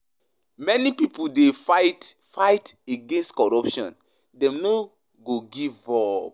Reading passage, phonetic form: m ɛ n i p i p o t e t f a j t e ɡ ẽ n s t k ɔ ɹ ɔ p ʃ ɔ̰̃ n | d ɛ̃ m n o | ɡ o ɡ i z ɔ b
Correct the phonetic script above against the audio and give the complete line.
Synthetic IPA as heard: m ɛ n i p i p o d e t f a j t e ɡ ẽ n s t k ɔ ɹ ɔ p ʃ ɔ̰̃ n | d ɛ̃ m n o | ɡ o ɡ i v ɔ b